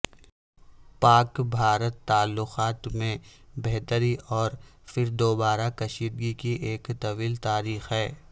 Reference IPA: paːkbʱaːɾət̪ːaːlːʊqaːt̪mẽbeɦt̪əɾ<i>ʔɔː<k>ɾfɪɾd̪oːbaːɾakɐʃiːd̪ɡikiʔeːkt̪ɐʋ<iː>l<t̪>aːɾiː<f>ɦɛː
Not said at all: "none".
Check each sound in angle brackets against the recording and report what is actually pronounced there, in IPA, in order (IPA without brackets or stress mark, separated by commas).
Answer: i, none, iː, t̪, x